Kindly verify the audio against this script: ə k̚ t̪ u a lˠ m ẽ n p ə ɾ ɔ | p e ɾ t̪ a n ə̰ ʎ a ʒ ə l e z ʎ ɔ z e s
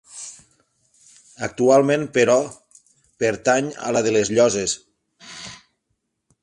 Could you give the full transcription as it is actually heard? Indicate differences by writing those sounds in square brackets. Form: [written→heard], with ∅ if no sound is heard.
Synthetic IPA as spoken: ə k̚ t̪ u a lˠ m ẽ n p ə ɾ ɔ | p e ɾ t̪ a [n→ɲ] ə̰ [ʎ→l] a [ʒ→ð] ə l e z ʎ ɔ z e s

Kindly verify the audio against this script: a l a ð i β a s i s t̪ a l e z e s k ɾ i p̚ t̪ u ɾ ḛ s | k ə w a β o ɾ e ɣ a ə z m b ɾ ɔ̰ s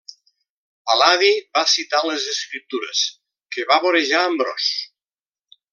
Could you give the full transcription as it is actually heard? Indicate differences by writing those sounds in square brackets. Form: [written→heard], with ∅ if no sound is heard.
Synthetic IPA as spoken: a l a ð i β a s i [s→∅] t̪ a l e z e s k ɾ i p̚ t̪ u ɾ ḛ s | k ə [w→β] a β o ɾ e [ɣ→ʒ] a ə [z→∅] m b ɾ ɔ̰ s

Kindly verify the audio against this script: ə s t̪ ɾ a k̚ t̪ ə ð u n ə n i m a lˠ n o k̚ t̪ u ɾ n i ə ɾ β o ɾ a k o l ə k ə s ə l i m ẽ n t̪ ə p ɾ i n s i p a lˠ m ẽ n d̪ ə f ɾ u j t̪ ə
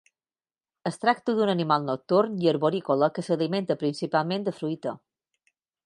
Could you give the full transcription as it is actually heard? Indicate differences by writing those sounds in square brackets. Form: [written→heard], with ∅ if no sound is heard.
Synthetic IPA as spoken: ə s t̪ ɾ a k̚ t̪ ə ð u n ə n i m a lˠ n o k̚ t̪ u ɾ n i ə ɾ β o ɾ [a→i] k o l ə k ə s ə l i m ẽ n t̪ ə p ɾ i n s i p a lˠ m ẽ n d̪ ə f ɾ u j t̪ ə

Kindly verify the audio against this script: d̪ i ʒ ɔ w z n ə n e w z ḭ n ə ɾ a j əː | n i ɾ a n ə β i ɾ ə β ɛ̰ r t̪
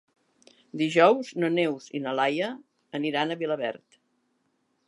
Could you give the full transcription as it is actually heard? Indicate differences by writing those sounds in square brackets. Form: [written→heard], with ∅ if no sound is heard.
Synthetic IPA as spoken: d̪ i ʒ ɔ w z n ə n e w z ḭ n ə [ɾ→l] a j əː | n i ɾ a n ə β i [ɾ→l] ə β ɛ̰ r t̪

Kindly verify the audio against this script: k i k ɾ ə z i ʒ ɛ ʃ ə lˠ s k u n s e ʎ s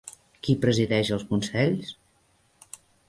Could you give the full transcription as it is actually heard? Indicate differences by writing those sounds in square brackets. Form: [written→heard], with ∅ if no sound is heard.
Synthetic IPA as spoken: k i [k→p] ɾ ə z i [ʒ→ð] ɛ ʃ ə lˠ s k u n s [e→ɛ] ʎ s

